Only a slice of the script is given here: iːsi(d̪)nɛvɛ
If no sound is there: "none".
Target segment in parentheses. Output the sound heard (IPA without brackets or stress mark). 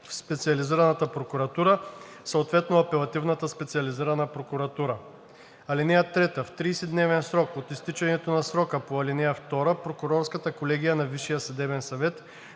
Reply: d̪